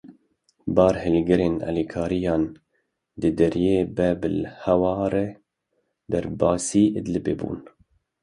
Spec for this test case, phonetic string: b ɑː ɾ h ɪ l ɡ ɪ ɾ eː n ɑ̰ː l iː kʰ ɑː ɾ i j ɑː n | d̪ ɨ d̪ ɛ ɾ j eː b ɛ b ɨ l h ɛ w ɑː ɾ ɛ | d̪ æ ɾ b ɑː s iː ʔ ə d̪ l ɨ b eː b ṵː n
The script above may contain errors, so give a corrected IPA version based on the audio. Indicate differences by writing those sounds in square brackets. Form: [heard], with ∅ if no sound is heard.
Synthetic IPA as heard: b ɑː ɾ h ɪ l ɡ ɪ ɾ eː n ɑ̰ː l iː kʰ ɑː ɾ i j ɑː n | d̪ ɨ d̪ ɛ ɾ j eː b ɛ b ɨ l h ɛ w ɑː ɾ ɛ | d̪ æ ɾ b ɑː s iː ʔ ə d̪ l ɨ b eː b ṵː n

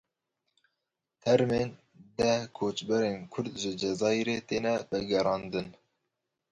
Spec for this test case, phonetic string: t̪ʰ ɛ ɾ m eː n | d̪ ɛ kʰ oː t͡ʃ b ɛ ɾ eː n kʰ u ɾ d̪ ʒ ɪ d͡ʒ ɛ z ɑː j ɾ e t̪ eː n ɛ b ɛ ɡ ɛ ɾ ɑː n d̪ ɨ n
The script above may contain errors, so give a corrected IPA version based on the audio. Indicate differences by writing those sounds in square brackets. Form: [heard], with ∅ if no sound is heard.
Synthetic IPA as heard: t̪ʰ ɛ ɾ m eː n | d̪ ɛ kʰ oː t͡ʃ b ɛ ɾ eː n kʰ [ʊ] ɾ d̪ ʒ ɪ d͡ʒ ɛ z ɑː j ɾ e t̪ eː n ɛ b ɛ ɡ ɛ ɾ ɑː n d̪ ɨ n

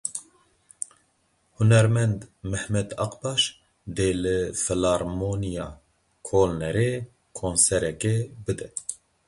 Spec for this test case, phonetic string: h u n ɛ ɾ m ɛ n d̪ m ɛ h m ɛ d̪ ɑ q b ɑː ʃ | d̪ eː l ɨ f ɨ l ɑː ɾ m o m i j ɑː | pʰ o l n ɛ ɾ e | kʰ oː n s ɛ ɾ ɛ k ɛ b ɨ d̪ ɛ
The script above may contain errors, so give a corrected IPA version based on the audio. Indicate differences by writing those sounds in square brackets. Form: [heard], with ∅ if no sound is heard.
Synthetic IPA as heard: h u n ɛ ɾ m ɛ n d̪ m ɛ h m ɛ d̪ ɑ q b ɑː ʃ | d̪ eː l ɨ f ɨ l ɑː ɾ m o [n] i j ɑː | [kʰ] o l n ɛ ɾ e | kʰ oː n s ɛ ɾ ɛ k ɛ b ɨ d̪ ɛ

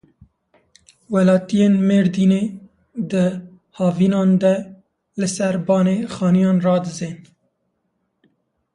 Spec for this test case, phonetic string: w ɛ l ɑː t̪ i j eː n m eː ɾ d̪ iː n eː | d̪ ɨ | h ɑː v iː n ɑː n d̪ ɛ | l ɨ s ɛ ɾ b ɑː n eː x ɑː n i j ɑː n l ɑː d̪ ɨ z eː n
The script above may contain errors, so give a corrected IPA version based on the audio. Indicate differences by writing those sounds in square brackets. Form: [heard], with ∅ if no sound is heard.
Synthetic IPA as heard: w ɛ l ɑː t̪ i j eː n m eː ɾ d̪ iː n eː | d̪ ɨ | h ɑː v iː n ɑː n d̪ ɛ | l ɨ s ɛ ɾ b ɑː n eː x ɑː n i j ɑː n [r] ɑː d̪ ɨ z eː n

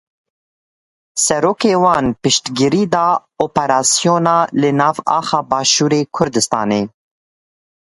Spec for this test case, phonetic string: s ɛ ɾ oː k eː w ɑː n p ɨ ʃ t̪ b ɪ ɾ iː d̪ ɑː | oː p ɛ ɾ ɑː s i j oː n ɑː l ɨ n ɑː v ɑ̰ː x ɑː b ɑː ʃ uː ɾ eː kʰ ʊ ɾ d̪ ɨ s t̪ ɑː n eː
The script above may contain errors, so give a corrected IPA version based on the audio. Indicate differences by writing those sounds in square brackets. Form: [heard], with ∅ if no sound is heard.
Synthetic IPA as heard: s ɛ ɾ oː k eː w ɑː n p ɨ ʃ t̪ [ɡ] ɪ ɾ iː d̪ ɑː | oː p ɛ ɾ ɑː s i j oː n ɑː l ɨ n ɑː v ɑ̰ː x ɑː b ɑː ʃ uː ɾ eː kʰ ʊ ɾ d̪ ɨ s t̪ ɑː n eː

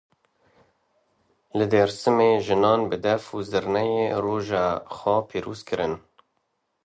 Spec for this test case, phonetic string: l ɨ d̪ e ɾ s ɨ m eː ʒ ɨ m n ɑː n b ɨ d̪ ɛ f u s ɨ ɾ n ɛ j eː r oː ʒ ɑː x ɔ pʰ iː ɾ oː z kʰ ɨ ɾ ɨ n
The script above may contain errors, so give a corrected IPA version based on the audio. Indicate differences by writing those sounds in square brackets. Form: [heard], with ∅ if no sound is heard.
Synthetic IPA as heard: l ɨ d̪ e ɾ s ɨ m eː ʒ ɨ [∅] n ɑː n b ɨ d̪ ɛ f u [z] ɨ ɾ n ɛ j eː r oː ʒ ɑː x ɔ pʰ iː ɾ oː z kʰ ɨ ɾ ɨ n

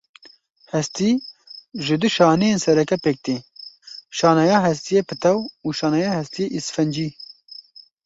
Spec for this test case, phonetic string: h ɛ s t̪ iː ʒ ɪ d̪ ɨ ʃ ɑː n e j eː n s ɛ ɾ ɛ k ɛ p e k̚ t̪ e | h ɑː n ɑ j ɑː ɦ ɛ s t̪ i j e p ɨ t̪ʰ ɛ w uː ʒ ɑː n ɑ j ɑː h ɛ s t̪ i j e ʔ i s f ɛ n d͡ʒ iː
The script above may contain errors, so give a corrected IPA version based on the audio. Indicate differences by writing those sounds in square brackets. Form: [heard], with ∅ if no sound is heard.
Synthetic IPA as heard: h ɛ s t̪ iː ʒ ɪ d̪ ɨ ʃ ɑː n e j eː n s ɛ ɾ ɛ k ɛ p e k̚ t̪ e | [ʃ] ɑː n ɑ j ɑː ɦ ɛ s t̪ i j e p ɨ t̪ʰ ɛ w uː [ʃ] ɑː n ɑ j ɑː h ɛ s t̪ i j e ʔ i s f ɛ n d͡ʒ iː

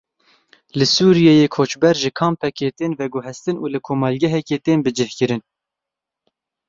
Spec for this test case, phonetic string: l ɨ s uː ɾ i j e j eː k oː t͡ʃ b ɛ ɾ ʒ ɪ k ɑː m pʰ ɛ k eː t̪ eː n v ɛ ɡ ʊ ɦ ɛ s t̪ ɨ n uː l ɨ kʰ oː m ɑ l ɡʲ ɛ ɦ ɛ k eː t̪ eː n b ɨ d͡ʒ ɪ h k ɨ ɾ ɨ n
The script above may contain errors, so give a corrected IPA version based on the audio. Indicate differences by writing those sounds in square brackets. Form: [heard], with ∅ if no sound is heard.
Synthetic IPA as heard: l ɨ s uː ɾ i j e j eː [kʰ] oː t͡ʃ b ɛ ɾ ʒ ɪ [kʰ] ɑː m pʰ ɛ k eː t̪ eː n v ɛ ɡ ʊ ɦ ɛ s t̪ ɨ n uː l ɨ kʰ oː m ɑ l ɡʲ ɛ ɦ ɛ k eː t̪ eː n b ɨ d͡ʒ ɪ h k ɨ ɾ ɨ n

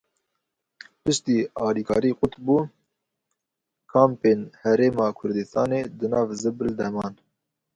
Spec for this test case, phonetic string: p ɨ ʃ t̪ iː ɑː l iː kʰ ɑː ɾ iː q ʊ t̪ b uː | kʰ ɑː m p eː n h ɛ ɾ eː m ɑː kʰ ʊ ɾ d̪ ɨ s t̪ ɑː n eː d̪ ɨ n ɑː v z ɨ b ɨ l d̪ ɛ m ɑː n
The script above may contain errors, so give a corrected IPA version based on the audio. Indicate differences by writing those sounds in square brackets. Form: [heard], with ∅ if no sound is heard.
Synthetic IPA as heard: p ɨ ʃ t̪ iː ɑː l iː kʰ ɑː ɾ iː q ʊ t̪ b uː | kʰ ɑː m p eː n h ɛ ɾ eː m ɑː kʰ ʊ ɾ d̪ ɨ s t̪ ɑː n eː d̪ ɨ n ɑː v z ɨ b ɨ l d̪ ɛ m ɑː n

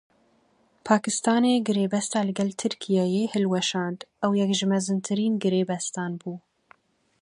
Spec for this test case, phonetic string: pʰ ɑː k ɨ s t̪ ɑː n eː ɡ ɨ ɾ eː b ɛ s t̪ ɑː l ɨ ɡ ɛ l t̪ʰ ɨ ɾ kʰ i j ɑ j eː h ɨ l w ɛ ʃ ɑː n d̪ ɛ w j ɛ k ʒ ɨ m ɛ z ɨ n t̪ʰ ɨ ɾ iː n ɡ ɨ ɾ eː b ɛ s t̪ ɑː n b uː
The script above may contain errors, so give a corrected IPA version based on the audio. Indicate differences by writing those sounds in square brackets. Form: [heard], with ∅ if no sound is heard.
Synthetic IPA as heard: pʰ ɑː k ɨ s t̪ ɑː n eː ɡ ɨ ɾ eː b ɛ s t̪ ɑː l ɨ ɡ ɛ l t̪ʰ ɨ ɾ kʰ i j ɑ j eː h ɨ l w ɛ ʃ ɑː n d̪ ɛ w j ɛ k ʒ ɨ m ɛ z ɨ n t̪ʰ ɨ ɾ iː n ɡ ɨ ɾ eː b ɛ s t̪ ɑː n b uː

